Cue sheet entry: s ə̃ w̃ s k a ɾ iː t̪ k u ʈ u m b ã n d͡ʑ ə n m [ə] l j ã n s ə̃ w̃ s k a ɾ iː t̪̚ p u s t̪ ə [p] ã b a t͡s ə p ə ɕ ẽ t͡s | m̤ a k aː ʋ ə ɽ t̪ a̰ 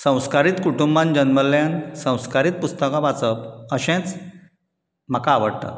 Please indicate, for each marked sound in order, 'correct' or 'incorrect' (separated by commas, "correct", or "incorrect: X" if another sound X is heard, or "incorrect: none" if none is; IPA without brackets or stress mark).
correct, incorrect: k